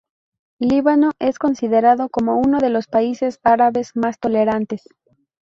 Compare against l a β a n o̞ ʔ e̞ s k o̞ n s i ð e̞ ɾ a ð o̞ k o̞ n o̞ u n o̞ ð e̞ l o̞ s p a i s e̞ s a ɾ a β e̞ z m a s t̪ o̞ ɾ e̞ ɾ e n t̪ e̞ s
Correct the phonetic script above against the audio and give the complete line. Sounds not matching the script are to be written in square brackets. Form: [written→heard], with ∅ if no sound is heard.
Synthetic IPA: l [a→i] β a n o̞ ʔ e̞ s k o̞ n s i ð e̞ ɾ a ð o̞ k o̞ [n→m] o̞ u n o̞ ð e̞ l o̞ s p a i s e̞ s a ɾ a β e̞ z m a s t̪ o̞ [ɾ→l] e̞ ɾ [e→a] n t̪ e̞ s